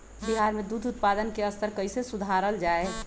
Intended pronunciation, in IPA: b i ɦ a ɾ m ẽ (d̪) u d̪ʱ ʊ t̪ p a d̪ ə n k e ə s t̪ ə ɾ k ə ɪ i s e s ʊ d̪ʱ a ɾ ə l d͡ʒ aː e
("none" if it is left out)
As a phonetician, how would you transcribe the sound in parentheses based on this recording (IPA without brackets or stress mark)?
d̪